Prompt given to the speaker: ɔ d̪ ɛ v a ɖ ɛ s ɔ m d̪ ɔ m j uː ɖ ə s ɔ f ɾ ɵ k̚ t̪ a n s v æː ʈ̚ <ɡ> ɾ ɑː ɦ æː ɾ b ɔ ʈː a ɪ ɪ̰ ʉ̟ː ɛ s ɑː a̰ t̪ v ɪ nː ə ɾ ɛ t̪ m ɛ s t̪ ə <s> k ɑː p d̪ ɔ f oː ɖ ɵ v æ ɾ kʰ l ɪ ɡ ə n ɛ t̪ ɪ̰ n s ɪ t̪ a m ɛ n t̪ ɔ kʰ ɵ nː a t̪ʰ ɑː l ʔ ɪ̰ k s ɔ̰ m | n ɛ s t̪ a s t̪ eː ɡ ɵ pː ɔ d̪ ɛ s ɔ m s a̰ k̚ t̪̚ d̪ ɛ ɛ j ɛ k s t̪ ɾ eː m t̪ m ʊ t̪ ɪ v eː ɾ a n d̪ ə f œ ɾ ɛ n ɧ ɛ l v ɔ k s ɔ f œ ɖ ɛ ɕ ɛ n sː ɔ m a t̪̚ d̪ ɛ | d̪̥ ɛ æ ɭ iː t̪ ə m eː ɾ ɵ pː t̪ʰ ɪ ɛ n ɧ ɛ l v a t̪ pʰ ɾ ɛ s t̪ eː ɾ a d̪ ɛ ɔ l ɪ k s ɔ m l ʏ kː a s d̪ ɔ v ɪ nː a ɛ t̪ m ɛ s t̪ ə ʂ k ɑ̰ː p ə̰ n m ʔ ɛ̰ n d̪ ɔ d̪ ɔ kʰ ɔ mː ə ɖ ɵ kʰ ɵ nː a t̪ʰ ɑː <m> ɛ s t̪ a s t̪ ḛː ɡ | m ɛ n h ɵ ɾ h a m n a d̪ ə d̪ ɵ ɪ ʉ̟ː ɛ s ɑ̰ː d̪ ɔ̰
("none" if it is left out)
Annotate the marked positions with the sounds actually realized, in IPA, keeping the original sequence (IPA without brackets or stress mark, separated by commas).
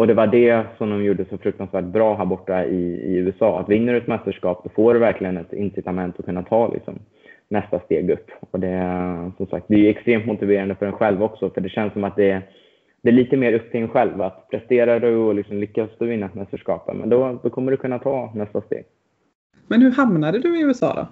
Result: b, ʂ, n